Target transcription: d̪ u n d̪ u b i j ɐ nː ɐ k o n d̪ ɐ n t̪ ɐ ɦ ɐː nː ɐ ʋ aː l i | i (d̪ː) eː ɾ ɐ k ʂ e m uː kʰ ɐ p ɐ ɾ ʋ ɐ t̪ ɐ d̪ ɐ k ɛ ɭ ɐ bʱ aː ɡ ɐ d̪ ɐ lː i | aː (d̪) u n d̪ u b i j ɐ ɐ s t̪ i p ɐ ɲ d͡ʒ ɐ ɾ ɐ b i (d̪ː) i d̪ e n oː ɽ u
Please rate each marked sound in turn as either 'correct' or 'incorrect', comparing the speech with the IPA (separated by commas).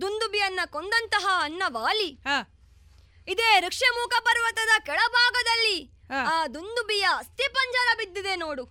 incorrect, correct, correct